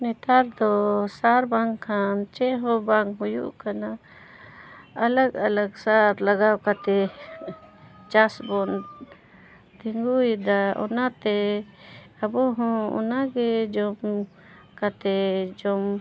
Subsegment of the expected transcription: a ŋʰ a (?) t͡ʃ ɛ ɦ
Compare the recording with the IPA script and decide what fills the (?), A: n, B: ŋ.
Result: A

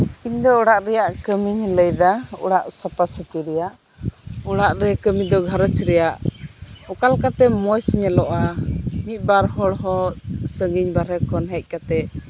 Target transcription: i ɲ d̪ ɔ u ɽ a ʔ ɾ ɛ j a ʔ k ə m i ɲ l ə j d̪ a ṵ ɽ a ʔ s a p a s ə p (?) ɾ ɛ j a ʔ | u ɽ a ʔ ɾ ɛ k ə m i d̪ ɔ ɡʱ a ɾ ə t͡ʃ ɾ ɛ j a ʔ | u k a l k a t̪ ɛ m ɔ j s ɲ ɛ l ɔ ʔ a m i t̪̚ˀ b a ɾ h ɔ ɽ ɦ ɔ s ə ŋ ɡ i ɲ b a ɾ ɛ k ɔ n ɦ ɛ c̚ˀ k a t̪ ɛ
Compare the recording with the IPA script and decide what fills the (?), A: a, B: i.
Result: B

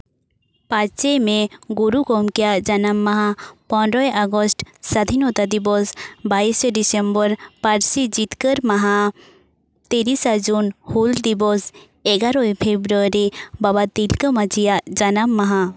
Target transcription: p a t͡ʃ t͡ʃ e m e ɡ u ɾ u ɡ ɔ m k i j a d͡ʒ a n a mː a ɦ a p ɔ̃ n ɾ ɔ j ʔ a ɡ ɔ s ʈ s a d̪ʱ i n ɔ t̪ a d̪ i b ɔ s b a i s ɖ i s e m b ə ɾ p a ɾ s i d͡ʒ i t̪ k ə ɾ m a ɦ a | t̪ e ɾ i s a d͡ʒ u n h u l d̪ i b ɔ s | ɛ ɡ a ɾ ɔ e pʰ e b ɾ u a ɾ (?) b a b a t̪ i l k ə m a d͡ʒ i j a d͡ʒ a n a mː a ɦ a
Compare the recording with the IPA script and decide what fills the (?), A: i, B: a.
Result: A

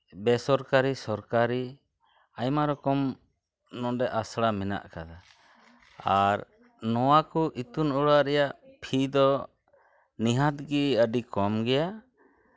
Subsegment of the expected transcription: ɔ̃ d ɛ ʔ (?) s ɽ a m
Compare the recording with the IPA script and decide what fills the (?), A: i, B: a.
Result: B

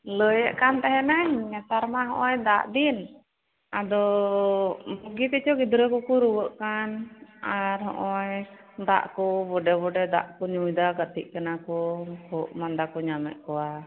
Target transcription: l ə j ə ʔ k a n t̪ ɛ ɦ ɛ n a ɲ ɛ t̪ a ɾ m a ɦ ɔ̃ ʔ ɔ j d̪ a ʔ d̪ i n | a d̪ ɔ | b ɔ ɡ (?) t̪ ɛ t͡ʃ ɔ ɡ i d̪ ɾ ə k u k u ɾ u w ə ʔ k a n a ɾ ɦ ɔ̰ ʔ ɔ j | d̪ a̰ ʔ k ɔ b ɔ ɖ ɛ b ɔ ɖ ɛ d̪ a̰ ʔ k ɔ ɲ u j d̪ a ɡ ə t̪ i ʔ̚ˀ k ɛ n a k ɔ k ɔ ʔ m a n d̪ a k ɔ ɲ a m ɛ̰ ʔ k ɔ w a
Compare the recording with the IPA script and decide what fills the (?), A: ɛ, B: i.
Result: B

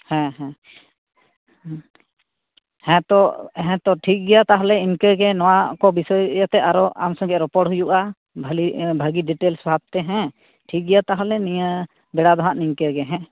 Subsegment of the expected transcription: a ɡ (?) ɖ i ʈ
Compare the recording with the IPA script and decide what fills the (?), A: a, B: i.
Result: B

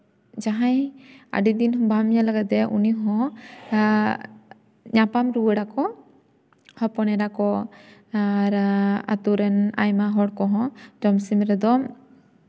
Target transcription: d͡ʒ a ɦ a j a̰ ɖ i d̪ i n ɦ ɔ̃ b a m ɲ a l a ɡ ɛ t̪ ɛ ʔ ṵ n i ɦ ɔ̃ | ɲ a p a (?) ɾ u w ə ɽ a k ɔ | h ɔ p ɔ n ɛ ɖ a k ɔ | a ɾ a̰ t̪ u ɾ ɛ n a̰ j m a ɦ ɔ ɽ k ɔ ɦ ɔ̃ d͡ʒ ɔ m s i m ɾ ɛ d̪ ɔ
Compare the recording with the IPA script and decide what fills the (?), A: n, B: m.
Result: B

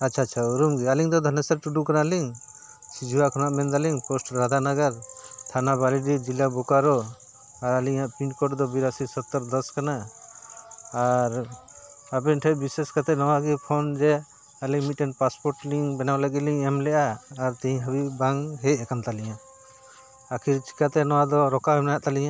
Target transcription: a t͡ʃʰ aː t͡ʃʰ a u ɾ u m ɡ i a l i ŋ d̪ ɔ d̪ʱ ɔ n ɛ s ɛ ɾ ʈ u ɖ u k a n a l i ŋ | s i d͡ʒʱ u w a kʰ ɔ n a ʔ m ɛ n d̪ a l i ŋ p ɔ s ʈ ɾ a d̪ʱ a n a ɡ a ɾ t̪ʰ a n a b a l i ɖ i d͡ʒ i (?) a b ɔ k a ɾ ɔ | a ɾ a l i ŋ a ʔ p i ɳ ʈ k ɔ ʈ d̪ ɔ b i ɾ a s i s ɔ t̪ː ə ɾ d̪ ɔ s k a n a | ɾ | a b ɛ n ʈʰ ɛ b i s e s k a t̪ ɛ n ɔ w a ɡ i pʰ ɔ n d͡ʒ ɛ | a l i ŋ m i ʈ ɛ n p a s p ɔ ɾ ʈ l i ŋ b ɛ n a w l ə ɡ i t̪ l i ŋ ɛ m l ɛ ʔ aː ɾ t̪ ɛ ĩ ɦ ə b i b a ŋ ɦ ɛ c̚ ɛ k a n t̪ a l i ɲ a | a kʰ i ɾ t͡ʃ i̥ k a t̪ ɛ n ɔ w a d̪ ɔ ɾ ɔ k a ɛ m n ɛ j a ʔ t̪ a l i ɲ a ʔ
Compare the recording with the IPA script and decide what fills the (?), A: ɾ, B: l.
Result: B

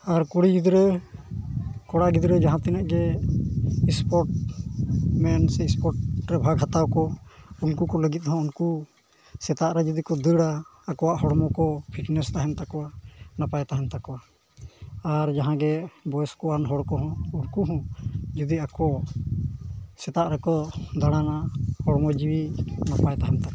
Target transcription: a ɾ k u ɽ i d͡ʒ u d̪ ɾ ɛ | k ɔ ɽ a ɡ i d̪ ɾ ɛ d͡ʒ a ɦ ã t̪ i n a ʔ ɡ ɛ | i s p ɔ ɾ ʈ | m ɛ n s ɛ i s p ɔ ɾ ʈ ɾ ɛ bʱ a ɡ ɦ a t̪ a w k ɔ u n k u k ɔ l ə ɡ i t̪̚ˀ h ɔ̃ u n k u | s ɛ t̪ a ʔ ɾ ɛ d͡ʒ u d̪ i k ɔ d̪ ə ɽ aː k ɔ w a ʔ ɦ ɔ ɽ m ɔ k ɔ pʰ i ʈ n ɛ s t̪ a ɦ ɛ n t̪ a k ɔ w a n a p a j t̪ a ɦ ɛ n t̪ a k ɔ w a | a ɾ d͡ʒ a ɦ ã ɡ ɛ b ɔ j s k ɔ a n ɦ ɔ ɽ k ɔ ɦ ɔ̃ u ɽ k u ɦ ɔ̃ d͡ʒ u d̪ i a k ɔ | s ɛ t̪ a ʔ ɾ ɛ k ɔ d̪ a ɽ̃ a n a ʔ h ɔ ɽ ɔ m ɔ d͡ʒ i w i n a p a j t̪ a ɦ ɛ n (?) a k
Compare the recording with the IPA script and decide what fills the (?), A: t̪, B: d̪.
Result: A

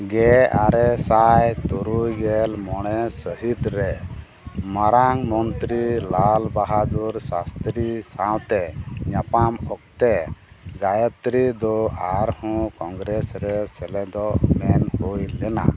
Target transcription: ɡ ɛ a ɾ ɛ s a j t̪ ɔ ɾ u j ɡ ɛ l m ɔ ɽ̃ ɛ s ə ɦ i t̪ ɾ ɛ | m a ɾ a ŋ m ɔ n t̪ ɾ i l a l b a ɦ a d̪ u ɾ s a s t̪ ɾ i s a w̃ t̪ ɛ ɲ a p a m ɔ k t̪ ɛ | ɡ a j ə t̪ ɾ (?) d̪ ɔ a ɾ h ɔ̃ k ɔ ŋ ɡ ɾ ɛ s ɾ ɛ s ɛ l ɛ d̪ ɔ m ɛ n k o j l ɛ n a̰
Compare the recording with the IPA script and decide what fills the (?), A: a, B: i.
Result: B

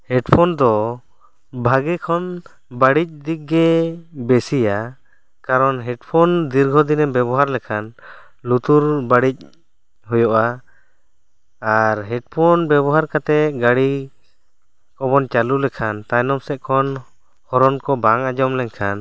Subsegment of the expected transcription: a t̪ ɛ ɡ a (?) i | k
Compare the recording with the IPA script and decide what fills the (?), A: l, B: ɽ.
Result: B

